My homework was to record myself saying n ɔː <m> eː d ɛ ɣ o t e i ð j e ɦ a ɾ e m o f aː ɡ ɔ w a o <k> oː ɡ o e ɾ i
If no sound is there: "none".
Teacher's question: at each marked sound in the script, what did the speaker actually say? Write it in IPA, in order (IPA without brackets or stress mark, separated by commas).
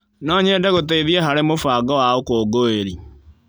ɲ, k